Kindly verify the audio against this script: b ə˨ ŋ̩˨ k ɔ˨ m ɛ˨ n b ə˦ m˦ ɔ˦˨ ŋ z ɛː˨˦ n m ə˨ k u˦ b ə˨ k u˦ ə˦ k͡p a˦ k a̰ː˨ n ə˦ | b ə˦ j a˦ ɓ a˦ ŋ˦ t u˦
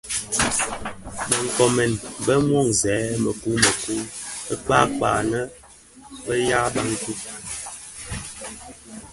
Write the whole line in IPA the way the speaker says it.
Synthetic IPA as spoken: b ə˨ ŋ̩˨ k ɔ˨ m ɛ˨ n b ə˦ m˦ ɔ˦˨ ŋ z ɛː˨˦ m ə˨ k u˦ m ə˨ k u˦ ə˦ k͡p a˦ k͡p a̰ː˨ n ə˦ | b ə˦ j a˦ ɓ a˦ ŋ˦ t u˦

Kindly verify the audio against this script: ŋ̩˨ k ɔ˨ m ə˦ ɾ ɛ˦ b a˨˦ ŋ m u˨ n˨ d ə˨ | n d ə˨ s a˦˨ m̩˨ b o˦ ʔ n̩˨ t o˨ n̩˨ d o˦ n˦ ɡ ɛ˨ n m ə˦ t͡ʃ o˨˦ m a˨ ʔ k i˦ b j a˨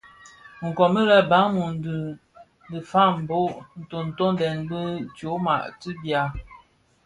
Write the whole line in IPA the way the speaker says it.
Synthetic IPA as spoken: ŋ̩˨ k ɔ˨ m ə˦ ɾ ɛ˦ b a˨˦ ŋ m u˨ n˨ d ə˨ | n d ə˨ f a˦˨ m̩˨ b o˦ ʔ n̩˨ t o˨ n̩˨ t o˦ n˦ d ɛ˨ n b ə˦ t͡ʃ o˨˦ m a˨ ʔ t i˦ b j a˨

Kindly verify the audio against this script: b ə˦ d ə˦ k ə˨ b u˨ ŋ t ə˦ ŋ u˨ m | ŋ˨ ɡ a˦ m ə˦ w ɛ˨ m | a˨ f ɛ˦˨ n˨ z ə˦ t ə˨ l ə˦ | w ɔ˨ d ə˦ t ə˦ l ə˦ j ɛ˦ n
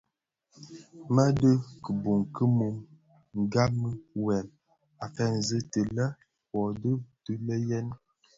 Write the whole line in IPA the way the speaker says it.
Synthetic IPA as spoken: m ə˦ d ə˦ k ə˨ b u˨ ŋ k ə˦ m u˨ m | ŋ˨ ɡ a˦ m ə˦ w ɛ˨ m | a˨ f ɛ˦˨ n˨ z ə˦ t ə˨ l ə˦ | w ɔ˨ d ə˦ t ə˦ l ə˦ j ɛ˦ n

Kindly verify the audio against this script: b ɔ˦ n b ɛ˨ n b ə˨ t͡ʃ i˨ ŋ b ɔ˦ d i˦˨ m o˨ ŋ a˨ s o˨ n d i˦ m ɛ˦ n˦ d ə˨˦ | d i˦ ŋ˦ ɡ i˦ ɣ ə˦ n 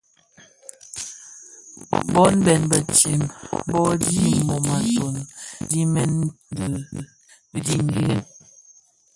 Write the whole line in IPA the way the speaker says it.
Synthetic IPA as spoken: b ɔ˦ n b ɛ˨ n b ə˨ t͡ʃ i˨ m b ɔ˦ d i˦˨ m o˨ m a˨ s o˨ n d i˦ m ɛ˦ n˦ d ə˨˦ | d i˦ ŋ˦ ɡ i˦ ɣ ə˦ n

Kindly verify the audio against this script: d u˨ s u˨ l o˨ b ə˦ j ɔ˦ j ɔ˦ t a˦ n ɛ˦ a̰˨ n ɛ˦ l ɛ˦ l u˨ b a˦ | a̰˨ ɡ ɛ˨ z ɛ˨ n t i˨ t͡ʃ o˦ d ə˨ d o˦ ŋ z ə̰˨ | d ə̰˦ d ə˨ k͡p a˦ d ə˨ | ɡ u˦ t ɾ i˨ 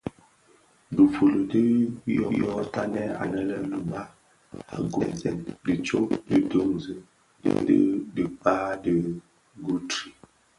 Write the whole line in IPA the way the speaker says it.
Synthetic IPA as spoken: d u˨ f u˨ l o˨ d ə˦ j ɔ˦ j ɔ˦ t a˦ n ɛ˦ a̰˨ n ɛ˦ l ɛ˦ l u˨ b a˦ | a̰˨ ɡ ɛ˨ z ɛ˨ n d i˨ t͡ʃ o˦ d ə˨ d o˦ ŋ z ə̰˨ | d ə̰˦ d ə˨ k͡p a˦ d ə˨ | ɡ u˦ t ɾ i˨

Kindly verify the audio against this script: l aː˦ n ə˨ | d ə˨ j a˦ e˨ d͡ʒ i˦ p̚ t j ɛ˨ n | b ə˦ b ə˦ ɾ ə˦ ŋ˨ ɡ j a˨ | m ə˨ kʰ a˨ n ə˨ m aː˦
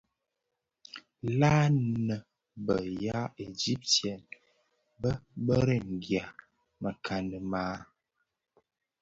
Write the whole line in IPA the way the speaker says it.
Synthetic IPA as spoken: l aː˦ n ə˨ | b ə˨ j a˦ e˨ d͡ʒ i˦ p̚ t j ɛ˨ n | b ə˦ b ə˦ ɾ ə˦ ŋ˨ ɡ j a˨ | m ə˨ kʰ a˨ n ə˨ m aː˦

